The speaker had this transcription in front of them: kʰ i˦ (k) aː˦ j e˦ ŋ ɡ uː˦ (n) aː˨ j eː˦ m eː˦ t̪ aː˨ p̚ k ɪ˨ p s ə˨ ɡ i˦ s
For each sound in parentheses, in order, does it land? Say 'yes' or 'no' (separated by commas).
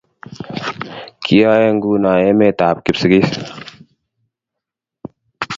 no, yes